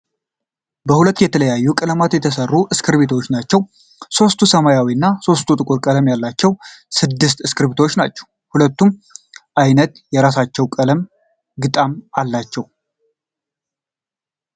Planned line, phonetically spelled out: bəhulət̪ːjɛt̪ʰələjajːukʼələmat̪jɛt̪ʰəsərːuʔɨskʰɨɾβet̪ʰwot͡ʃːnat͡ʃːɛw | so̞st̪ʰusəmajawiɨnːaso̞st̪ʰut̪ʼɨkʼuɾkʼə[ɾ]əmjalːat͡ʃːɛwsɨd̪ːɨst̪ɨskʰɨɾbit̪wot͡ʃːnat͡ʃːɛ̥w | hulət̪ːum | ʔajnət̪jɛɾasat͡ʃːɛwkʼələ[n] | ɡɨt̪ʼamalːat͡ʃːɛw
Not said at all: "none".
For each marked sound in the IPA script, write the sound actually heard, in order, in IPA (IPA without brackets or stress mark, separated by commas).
l, m